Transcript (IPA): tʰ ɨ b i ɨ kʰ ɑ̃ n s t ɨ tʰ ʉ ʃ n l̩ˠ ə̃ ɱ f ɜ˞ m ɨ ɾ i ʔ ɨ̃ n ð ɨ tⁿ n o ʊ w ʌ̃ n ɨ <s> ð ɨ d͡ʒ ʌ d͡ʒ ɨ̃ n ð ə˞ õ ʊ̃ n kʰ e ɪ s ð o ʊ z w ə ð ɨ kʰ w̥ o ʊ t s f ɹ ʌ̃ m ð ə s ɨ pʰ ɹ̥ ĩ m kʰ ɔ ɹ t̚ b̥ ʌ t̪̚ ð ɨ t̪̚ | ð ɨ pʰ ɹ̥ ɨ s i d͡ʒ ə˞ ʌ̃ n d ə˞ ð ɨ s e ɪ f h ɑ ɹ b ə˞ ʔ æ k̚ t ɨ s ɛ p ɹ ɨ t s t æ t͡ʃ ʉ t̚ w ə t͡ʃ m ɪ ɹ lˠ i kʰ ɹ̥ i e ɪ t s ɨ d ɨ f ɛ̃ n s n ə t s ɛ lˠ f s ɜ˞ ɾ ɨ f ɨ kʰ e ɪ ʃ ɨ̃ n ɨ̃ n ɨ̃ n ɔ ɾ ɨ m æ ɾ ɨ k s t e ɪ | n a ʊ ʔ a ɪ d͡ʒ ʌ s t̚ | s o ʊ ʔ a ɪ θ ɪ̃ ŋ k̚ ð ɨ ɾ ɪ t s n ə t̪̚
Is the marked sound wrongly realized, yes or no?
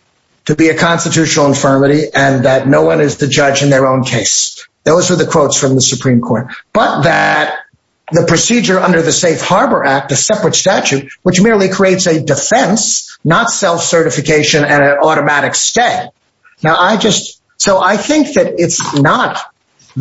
yes